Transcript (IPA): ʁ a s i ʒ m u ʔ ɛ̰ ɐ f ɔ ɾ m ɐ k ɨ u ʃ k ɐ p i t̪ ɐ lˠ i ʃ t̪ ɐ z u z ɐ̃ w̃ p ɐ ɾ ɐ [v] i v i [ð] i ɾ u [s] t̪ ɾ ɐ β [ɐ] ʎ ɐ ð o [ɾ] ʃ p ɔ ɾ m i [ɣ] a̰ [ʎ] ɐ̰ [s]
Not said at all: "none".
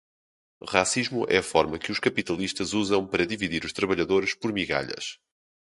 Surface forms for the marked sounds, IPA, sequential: ð, ð, ʃ, ɐ, ɾ, ɣ, ʎ, ʃ

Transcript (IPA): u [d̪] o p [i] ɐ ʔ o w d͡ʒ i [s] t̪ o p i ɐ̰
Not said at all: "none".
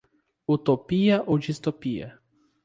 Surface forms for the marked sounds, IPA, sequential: t̪, i, s

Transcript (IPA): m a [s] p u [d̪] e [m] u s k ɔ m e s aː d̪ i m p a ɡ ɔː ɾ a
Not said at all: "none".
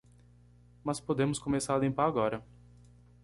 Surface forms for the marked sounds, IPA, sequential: s, d̪, m

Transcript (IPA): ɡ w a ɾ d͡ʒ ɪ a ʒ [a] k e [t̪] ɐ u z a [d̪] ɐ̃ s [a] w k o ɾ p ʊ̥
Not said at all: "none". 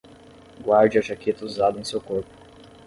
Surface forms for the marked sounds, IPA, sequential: a, t̪, d̪, e

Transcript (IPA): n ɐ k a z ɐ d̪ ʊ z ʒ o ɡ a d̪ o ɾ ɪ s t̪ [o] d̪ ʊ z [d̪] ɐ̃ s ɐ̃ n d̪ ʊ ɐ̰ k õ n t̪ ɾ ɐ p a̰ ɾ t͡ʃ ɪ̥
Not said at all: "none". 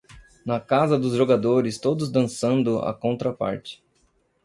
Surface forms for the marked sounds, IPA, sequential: o, d̪

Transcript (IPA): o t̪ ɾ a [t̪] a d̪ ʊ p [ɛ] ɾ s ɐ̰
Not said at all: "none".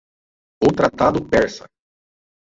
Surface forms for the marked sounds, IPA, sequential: t̪, ɛ

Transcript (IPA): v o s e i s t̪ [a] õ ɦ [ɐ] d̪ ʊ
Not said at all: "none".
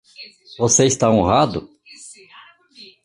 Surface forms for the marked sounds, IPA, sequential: a, a

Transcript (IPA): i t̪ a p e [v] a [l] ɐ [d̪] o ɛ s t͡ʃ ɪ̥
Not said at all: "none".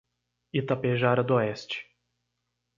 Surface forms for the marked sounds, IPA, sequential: ʒ, ɾ, d̪

